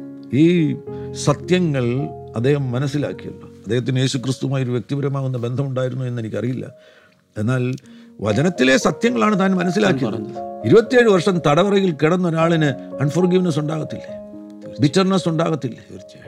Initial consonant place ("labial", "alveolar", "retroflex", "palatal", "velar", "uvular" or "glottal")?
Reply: alveolar